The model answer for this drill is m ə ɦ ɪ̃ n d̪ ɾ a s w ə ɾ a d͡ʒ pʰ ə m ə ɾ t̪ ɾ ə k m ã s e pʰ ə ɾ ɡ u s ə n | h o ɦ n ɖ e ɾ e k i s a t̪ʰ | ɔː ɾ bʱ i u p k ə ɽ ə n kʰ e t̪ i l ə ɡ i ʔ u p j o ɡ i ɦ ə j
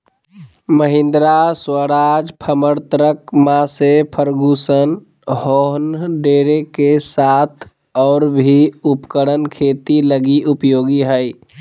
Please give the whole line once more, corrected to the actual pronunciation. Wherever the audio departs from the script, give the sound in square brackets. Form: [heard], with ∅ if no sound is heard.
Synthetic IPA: m ə ɦ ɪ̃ n d̪ ɾ a s w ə ɾ a d͡ʒ pʰ ə m ə ɾ t̪ ɾ ə k m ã s e pʰ ə ɾ ɡ u s ə n | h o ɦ n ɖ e ɾ e k [e] s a t̪ʰ | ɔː ɾ bʱ i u p k ə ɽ ə n kʰ e t̪ i l ə ɡ i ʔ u p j o ɡ i ɦ ə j